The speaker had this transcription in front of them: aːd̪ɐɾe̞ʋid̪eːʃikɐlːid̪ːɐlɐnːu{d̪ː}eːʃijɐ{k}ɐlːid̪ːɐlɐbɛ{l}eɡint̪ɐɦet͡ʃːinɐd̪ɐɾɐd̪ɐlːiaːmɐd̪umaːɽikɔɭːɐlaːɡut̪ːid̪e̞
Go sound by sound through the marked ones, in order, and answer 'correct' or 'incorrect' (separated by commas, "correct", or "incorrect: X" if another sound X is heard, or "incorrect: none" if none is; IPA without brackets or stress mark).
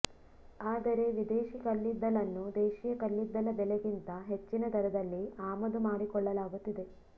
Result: incorrect: d̪, correct, correct